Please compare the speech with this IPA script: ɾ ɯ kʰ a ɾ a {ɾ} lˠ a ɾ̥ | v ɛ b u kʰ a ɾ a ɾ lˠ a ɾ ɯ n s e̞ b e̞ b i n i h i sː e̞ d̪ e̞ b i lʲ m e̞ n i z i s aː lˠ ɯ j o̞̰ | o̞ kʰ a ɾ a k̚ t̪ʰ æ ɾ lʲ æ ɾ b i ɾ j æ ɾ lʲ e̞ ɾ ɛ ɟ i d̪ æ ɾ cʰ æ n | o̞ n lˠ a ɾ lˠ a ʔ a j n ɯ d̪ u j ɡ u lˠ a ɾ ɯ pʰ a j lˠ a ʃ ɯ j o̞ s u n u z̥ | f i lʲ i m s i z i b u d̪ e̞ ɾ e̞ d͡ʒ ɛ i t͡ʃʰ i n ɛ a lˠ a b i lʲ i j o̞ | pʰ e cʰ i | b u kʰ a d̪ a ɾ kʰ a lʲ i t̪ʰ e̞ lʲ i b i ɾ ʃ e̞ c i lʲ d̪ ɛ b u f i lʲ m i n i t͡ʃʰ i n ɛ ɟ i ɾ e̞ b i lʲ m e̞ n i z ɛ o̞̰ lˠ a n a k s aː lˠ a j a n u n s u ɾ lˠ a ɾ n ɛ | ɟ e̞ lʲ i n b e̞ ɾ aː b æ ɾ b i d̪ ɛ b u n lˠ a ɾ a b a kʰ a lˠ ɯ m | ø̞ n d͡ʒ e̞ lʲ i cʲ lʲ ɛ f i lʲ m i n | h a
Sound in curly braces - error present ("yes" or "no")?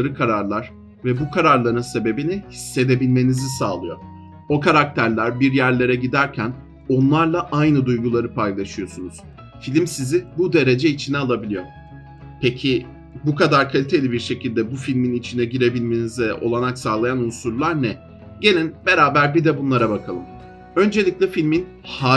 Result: no